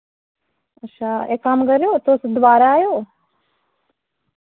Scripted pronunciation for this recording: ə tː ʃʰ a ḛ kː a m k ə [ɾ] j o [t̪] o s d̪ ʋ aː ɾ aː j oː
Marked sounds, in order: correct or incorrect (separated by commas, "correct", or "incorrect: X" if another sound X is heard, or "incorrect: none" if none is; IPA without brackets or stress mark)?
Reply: correct, correct